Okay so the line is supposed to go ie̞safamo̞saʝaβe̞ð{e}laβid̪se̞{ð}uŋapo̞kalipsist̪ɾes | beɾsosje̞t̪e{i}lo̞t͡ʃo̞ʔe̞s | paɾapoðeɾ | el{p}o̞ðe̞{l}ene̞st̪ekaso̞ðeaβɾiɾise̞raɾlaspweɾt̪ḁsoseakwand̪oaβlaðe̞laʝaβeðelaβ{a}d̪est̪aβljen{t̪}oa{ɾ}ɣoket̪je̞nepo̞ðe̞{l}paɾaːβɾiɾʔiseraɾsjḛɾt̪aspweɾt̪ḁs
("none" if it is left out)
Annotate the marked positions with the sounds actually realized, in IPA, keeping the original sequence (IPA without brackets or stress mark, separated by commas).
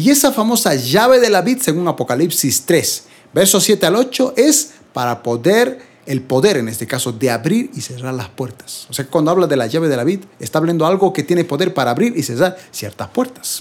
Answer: e, ɣ, a, p, ɾ, i, d̪, l, ɾ